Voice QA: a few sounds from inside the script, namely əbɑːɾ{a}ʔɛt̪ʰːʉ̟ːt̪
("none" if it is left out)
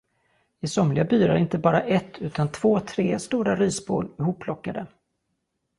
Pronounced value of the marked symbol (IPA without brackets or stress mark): a